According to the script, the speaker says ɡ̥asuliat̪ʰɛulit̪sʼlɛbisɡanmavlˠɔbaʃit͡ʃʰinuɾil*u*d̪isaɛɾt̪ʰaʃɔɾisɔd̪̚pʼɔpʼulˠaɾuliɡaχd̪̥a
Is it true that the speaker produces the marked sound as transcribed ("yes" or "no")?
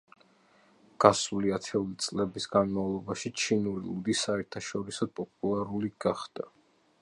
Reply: yes